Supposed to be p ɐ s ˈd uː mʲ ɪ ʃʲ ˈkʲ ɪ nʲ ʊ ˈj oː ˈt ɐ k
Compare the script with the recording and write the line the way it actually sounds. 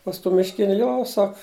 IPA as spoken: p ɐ s ˈt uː mʲ ɪ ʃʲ ˈkʲ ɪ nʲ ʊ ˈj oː ˈs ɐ k